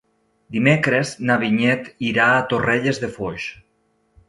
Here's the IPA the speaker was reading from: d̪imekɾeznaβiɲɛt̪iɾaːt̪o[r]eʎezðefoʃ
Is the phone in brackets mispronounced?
no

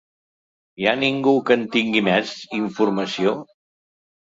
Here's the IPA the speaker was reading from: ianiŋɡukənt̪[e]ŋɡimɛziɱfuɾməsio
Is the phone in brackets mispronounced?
yes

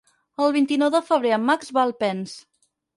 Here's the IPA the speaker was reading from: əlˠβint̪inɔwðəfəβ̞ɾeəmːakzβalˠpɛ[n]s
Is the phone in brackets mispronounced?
no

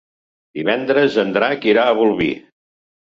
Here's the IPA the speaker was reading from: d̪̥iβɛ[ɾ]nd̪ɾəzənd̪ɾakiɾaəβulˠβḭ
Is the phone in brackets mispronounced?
yes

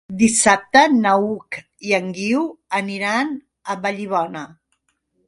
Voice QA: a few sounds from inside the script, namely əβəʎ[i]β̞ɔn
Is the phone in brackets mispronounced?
no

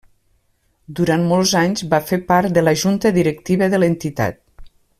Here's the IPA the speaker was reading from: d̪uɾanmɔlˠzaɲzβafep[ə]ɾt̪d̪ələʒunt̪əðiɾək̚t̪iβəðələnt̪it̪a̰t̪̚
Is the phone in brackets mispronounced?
yes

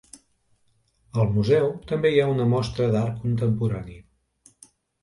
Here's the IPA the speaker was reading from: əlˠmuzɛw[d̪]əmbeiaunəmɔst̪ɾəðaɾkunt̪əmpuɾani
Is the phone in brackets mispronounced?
yes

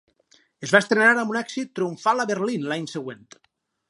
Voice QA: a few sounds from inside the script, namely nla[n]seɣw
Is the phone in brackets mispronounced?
yes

